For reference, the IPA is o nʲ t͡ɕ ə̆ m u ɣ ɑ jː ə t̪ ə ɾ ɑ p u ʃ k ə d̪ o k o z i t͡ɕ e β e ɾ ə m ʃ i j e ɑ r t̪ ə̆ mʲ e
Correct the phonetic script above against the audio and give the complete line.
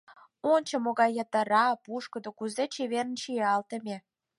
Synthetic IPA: o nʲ t͡ɕ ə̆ m o ɣ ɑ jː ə t̪ ə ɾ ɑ p u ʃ k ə d̪ o k u z e t͡ɕ e β e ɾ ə n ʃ i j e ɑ l t̪ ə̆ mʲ e